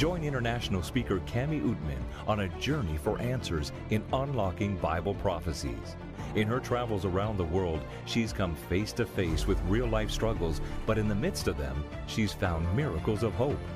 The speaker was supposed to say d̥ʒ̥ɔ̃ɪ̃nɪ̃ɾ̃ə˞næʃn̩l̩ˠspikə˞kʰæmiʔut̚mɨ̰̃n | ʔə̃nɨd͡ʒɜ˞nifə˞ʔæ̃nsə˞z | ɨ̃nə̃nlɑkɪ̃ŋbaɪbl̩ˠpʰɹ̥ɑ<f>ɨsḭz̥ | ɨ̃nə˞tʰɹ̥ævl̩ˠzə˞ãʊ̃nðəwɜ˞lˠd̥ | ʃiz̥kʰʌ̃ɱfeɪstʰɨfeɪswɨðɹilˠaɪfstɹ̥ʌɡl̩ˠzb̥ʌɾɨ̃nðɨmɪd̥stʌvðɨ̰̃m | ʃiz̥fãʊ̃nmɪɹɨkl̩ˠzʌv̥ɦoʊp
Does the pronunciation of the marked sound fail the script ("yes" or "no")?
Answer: no